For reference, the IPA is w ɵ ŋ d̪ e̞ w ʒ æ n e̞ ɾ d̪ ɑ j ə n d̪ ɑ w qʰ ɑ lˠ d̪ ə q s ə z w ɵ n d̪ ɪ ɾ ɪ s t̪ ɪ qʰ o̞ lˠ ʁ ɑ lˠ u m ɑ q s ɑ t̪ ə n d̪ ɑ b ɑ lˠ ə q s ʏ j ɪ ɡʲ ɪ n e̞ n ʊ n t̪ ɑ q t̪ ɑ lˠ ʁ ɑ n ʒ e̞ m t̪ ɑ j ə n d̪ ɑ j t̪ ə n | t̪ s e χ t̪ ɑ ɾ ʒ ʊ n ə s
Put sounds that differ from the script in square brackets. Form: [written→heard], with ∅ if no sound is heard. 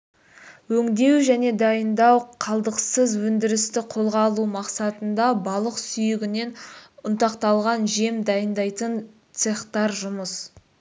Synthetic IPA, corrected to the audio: w ɵ ŋ d̪ e̞ w ʒ æ n e̞ [ɾ→∅] d̪ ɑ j ə n d̪ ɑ w qʰ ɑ lˠ d̪ ə q s ə z w ɵ n d̪ ɪ ɾ ɪ s t̪ ɪ qʰ o̞ lˠ ʁ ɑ lˠ u m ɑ q s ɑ t̪ ə n d̪ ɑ b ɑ lˠ ə q s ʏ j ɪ ɡʲ ɪ n e̞ n ʊ n t̪ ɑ q t̪ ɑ lˠ ʁ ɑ n ʒ e̞ m [t̪→d̪] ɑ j ə n d̪ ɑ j t̪ ə n | t̪ s e χ t̪ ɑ ɾ ʒ ʊ [n→m] ə s